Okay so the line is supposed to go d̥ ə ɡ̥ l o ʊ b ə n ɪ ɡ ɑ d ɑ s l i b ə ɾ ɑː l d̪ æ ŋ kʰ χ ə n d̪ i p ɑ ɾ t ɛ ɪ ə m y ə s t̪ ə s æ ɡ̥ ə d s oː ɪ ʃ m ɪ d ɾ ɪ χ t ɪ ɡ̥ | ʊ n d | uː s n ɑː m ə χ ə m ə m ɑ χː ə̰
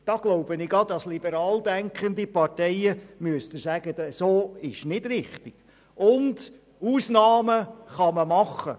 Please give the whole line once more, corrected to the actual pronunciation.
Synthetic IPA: d̥ ɑ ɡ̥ l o ʊ b ə n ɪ ɡ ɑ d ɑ s l i b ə ɾ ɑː l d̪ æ ŋ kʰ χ ə n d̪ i p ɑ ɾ t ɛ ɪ ə m y ə s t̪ ə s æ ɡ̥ ə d s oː ɪ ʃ n ɪ d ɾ ɪ χ t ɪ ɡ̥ | ʊ n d | uː s n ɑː m ə χ ɑ m ə m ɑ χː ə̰